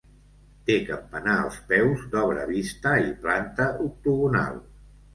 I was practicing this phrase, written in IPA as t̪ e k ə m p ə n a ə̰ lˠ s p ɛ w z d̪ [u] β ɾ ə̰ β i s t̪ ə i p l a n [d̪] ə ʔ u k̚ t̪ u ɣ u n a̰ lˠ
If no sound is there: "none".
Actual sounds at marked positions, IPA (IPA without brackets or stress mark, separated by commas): ɔ, t̪